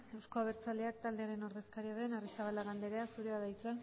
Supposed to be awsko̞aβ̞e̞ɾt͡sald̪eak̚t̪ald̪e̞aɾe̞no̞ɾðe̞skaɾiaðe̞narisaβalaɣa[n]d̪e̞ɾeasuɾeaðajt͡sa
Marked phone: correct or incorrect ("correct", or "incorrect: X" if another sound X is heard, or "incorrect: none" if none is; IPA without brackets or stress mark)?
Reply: correct